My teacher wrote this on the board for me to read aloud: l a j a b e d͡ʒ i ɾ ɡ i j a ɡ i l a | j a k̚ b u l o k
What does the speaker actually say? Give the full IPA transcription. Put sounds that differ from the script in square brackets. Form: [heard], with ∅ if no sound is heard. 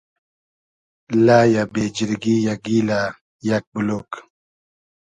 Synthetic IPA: l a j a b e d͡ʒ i ɾ ɡ i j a ɡ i l a | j a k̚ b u l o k